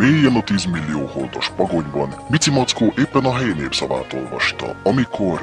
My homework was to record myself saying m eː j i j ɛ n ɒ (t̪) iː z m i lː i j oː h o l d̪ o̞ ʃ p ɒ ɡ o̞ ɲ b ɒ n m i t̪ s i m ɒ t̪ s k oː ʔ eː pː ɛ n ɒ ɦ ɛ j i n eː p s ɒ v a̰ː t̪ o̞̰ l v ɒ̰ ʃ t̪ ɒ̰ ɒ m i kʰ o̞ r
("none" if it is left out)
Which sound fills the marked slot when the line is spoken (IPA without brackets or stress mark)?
t̪